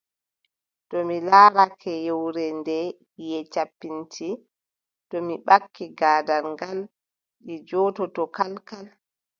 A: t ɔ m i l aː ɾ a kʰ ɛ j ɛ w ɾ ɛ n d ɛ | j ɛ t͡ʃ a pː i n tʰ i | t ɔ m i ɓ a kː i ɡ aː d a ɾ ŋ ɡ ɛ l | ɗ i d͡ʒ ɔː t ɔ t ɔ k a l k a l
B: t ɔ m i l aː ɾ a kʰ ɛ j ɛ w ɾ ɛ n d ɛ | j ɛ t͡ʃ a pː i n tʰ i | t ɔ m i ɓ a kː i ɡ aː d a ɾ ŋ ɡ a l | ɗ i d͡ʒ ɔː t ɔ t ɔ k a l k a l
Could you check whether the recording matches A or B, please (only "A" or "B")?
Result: B